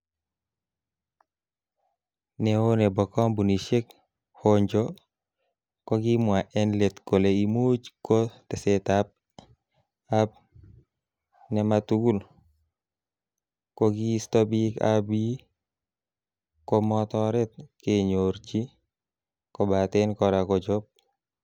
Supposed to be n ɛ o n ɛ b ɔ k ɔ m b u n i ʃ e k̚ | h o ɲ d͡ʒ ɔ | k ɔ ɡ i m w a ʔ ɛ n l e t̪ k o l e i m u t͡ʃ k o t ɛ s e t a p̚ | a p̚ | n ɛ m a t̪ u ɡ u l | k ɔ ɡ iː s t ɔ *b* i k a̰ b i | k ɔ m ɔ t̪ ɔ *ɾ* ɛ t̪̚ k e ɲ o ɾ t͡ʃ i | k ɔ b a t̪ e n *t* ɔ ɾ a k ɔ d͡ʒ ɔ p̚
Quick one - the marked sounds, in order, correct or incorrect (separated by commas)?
correct, correct, incorrect